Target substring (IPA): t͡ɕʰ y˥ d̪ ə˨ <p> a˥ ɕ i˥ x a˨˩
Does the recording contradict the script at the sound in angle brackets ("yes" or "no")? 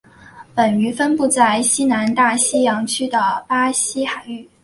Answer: no